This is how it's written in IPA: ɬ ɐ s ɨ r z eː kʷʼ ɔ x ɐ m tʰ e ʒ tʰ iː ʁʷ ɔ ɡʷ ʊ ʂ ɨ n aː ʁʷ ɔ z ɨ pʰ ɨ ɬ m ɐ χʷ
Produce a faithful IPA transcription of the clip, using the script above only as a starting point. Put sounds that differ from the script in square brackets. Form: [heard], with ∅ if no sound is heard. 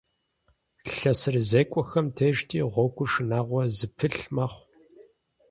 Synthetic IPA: ɬ ɐ s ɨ r z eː kʷʼ ɔ x ɐ m tʰ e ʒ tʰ iː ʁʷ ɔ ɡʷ ʊ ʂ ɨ n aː ʁʷ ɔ z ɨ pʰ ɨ ɬ m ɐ χʷ

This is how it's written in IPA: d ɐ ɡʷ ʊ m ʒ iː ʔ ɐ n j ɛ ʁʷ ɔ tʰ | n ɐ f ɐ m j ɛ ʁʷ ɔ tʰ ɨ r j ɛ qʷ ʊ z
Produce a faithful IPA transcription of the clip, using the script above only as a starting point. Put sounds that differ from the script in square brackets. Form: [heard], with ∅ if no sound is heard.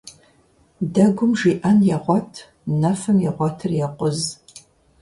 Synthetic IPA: d ɐ ɡʷ ʊ m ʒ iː ʔ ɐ n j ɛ ʁʷ ɔ tʰ | n ɐ f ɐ m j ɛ ʁʷ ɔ tʰ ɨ r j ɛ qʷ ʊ z

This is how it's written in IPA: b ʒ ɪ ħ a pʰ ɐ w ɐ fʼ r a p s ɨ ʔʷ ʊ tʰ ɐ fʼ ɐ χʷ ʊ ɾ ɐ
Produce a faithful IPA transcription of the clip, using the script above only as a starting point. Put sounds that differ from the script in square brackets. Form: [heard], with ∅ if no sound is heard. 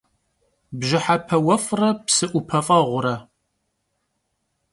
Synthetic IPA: b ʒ ɪ ħ a pʰ ɐ w ɐ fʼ r [ɐ] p s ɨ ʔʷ ʊ [pʰ] ɐ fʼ ɐ [ʁʷ] ʊ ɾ ɐ

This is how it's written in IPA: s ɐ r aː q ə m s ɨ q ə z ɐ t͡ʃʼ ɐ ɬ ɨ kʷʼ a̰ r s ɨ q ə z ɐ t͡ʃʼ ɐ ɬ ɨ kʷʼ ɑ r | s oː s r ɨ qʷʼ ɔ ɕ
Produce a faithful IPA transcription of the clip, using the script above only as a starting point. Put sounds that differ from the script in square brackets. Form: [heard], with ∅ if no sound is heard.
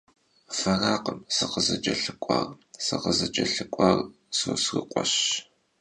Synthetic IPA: [f] ɐ r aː q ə m s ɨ q ə z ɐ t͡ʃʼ ɐ ɬ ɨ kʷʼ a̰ r s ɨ q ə z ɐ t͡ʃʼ ɐ ɬ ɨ kʷʼ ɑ r | s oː s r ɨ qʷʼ ɔ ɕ

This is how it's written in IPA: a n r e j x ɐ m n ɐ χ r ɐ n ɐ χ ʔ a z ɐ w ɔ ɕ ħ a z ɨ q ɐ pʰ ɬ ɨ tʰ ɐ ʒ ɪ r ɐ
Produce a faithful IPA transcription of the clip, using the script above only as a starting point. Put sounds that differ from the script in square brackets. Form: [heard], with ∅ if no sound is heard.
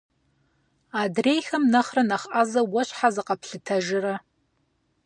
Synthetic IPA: a [d] r e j x ɐ m n ɐ χ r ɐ n ɐ χ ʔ a z ɐ w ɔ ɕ ħ a z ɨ q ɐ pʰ ɬ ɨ tʰ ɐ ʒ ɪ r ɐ

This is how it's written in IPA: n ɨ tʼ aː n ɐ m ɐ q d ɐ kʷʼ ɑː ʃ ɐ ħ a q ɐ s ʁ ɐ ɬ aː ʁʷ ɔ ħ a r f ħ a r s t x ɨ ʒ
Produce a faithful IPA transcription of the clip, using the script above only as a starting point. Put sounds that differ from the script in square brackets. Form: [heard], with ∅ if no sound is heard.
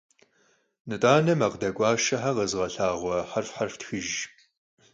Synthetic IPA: n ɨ tʼ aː n ɐ m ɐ q d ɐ kʷʼ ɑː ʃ ɐ ħ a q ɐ [z] ʁ ɐ ɬ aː ʁʷ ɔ ħ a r f ħ a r [f] t x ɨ ʒ

